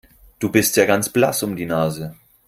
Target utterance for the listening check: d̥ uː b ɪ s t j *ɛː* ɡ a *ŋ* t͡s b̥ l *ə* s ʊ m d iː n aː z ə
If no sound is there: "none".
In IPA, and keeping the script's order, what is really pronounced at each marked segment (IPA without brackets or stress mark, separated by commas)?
aː, n, a